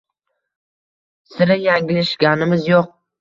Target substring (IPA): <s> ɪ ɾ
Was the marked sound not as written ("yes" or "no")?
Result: no